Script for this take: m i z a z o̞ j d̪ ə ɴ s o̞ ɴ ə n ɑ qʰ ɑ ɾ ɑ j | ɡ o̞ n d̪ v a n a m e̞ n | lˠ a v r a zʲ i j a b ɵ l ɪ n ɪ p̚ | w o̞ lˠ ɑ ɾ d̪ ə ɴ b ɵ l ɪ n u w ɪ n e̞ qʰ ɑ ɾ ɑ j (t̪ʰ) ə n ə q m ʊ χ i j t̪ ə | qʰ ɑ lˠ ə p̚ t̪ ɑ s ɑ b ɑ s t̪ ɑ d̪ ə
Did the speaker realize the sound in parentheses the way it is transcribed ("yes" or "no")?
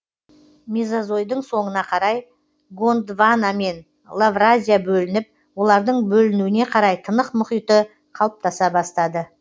yes